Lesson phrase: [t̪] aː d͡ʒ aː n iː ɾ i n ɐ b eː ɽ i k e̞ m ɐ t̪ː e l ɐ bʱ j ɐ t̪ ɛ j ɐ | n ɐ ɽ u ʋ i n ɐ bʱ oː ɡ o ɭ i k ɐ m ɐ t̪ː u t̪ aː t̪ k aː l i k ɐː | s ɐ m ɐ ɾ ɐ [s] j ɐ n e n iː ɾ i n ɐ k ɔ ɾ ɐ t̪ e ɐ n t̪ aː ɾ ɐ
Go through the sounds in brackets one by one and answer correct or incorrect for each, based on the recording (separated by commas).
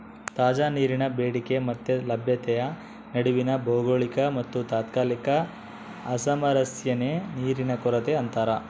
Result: correct, correct